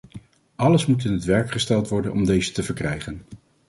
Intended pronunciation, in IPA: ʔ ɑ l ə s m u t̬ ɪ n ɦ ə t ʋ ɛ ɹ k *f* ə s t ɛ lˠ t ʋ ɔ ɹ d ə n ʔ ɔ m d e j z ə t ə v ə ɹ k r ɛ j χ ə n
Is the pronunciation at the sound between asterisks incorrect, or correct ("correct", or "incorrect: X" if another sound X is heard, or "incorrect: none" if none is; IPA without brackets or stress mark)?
incorrect: χ